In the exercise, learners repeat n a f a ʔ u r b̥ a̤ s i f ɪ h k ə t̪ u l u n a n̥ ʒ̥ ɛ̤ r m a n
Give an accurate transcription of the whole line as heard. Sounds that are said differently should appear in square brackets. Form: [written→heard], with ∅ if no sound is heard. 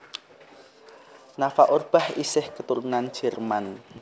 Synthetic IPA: n a f a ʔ [u→o] r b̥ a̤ [s→h] i [f→s] ɪ h k ə t̪ u [l→ɾ] u n a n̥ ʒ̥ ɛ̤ r m a n